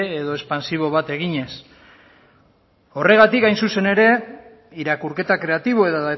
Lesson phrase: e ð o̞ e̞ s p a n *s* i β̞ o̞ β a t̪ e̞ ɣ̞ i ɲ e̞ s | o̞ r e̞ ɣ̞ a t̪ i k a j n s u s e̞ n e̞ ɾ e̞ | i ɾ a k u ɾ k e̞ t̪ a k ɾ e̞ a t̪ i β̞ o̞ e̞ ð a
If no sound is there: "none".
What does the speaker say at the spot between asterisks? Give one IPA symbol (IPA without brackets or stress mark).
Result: s